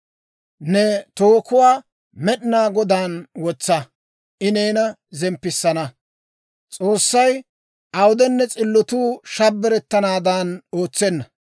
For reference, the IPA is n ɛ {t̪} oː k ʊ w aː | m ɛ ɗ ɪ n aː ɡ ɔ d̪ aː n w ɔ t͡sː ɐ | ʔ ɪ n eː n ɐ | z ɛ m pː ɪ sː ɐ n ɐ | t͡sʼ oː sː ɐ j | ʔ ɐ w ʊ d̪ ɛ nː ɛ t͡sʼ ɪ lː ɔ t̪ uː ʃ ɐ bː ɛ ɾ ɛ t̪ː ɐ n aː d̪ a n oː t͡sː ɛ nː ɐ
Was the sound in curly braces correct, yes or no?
yes